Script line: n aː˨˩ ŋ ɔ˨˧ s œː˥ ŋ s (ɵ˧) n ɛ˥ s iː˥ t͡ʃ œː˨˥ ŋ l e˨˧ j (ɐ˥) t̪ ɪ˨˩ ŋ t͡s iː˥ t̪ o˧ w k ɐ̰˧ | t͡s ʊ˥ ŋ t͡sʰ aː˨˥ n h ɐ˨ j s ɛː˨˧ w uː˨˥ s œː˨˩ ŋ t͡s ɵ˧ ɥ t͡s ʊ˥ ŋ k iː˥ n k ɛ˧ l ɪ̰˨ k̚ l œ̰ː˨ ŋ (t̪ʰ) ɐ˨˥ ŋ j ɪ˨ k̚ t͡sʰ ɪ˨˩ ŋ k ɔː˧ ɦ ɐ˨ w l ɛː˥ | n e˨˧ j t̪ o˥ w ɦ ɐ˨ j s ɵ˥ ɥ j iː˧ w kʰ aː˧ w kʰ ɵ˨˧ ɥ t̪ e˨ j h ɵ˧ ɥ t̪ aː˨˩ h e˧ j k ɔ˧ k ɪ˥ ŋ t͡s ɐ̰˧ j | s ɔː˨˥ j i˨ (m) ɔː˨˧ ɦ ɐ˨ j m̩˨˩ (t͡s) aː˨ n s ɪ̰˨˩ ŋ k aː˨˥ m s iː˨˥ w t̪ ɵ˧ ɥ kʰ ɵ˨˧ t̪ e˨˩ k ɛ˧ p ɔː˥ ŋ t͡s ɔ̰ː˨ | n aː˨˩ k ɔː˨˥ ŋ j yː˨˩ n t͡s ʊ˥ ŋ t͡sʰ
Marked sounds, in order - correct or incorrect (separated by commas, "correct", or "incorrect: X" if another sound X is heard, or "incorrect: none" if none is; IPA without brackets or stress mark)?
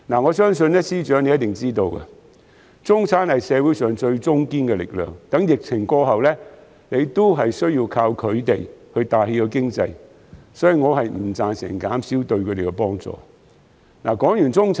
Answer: correct, correct, incorrect: t̪, incorrect: ŋ, correct